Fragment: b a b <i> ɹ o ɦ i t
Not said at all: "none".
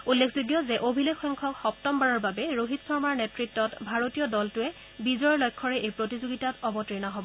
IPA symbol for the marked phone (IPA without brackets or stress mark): ɛ